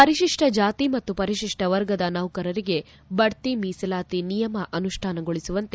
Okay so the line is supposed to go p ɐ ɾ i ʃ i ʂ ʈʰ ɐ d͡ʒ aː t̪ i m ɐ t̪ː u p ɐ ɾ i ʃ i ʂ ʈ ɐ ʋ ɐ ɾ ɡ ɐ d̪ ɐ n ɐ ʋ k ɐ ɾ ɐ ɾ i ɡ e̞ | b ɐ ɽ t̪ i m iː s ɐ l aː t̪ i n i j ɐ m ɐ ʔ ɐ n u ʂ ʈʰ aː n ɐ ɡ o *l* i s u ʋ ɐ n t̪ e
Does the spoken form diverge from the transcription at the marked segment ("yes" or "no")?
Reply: yes